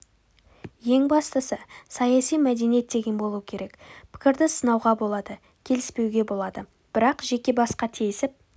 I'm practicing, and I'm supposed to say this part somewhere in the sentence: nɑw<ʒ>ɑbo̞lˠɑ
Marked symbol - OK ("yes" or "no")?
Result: no